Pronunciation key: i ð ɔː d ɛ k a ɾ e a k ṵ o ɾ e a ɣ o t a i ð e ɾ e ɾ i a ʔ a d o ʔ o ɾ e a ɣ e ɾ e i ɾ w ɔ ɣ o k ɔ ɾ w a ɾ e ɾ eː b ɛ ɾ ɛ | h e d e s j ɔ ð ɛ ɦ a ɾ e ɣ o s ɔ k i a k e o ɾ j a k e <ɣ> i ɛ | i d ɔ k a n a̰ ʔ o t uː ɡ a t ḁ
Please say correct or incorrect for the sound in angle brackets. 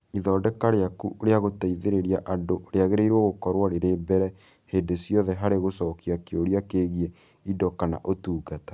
correct